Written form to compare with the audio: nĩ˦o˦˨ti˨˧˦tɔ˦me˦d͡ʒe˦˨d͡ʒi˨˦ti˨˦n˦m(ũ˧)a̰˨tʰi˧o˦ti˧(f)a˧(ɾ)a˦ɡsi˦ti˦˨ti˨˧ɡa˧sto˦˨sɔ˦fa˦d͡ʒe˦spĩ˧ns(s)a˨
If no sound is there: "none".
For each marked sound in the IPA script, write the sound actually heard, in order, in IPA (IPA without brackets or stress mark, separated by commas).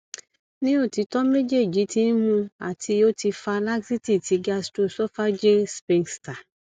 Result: ũ˧, f, l, t